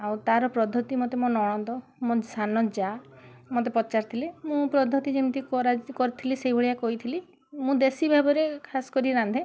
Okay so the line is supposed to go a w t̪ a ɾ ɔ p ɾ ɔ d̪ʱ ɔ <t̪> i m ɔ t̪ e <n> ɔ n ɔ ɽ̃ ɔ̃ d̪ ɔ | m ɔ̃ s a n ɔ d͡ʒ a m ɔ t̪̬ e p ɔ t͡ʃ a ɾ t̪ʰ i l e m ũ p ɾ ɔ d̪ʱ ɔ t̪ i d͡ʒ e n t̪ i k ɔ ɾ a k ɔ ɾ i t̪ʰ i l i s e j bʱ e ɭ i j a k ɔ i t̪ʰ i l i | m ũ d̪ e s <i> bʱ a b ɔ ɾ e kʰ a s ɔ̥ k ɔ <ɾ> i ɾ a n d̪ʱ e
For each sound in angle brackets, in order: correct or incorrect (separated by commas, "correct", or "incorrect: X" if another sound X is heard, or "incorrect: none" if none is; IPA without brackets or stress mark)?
correct, incorrect: m, correct, correct